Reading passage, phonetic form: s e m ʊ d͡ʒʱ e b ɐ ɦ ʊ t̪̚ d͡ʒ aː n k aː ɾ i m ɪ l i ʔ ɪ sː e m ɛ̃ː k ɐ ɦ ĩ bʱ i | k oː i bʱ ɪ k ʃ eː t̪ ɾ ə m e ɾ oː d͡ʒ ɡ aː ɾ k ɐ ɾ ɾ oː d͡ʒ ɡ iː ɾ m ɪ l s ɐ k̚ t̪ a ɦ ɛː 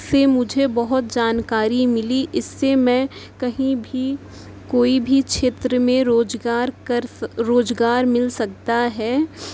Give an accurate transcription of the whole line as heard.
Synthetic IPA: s e m ʊ d͡ʒʱ e b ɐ ɦ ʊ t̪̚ d͡ʒ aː n k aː ɾ i m ɪ l i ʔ ɪ sː e m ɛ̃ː k ɐ ɦ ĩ bʱ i | k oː i bʱ i k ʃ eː t̪ ɾ ə m ẽ ɾ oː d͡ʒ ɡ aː ɾ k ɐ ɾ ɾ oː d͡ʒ ɡ aː ɾ m ɪ l s ɐ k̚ t̪ a ɦ ɛː